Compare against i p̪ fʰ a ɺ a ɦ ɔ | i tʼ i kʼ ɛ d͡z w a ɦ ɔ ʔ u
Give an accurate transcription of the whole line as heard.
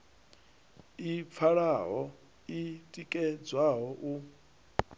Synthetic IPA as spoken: i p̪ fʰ a ɺ a ɦ ɔ | i tʼ i kʼ ɛ d͡z w a ɦ ɔ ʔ u

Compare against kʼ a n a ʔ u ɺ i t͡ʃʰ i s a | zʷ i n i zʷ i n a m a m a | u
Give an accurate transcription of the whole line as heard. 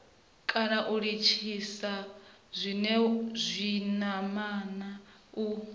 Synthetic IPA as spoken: kʼ a n a ʔ u ɺ i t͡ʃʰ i s a | zʷ i n ɛ zʷ i n a m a n a | u

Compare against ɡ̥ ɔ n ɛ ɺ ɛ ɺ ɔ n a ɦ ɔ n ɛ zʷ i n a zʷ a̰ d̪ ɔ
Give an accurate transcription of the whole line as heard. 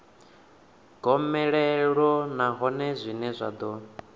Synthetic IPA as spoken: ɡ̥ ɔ m ɛ ɺ ɛ ɺ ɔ n a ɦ ɔ n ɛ zʷ i n ɛ zʷ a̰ d̪ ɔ

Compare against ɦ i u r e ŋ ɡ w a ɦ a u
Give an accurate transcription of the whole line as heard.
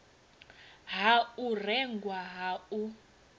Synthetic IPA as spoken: ɦ a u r ɛ ŋ ɡ w a ɦ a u

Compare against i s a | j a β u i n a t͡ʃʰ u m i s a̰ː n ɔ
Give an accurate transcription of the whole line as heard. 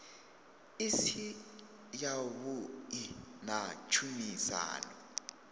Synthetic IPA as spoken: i s i | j a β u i n a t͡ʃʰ u m i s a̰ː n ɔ

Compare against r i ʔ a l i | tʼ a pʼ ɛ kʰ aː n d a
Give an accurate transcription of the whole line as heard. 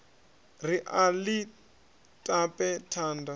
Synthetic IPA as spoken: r i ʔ a l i | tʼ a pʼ ɛ tʰ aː n d a

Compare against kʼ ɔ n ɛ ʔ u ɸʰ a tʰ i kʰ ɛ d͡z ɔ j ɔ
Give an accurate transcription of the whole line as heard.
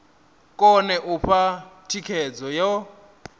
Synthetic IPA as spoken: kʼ ɔ n ɛ ʔ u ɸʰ a tʰ i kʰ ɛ d͡z ɔ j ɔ

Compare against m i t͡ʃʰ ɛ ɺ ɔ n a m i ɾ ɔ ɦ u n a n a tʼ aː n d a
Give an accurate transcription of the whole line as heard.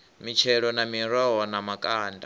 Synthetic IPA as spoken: m i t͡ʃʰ ɛ ɺ ɔ n a m i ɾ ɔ ɦ ɔ n a m a kʼ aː n d a

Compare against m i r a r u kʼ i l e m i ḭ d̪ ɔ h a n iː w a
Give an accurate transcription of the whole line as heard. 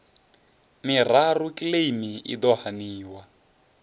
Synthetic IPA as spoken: m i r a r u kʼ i l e m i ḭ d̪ ɔ h a n iː w a

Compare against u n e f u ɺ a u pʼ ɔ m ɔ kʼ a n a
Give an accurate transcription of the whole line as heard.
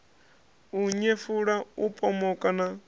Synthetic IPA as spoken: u ɲ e f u ɺ a u pʼ ɔ m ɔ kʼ a n a

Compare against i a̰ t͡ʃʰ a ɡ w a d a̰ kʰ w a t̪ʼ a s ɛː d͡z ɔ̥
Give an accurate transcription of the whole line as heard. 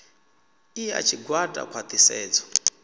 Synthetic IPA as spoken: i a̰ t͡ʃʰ i ɡ w a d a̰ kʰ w a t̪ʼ i s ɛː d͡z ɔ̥

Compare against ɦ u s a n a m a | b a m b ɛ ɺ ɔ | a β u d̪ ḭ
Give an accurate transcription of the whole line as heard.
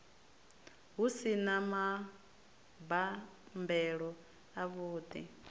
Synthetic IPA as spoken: ɦ u s i n a m a | b a m b ɛ ɺ ɔ | a β uː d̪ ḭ

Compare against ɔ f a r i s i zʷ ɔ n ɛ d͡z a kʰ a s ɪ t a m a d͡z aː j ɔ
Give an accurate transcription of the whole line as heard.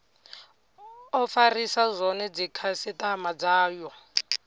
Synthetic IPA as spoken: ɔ f a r i s a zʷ ɔ n ɛ d͡z i kʰ a s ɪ t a m a d͡z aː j ɔ

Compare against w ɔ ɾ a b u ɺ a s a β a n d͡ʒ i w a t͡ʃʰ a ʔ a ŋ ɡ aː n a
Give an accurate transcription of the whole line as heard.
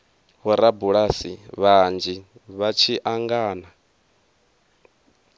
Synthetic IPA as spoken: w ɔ ɾ a b u ɺ a s i β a n d͡ʒ i β a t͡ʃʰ i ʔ a ŋ ɡ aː n a

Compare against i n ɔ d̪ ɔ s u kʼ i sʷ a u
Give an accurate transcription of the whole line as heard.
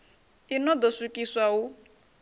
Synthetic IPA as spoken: i n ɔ d̪ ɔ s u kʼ i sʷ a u

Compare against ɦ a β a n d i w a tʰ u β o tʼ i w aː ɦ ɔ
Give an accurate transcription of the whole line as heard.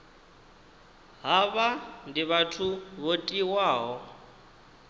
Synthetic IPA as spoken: ɦ a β a n d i β a tʰ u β o tʼ i w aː ɦ ɔ

